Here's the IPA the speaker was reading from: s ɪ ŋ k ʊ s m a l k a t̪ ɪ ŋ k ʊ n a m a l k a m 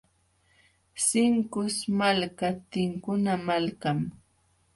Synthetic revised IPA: s ɪ ŋ k ʊ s m a l k a t̪ ɪ ŋ k ʊ n a m a l k a m